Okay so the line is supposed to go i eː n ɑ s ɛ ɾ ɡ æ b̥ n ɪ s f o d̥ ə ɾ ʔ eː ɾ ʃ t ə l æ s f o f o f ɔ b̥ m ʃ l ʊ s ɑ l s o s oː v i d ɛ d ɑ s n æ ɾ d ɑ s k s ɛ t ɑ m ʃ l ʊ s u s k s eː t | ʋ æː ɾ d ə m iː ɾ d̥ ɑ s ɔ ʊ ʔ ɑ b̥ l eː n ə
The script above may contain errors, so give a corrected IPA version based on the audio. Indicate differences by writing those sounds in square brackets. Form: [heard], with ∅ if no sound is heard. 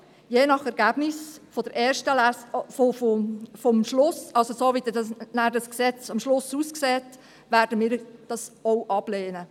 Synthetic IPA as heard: [j] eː n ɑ [χ] ɛ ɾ ɡ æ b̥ n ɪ s f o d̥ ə ɾ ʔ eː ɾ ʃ t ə l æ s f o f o f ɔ [∅] m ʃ l ʊ s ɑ l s o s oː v i d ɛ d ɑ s n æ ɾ d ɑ s k s ɛ [t͡s] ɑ m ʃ l ʊ s u s k s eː t | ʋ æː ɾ d ə m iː ɾ d̥ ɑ s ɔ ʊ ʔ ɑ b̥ l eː n ə